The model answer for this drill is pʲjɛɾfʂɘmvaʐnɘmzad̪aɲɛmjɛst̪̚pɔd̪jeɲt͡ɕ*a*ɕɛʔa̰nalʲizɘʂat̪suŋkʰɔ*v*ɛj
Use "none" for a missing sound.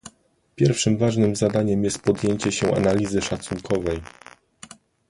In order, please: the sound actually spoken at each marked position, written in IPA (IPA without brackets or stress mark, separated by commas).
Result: ɛ, v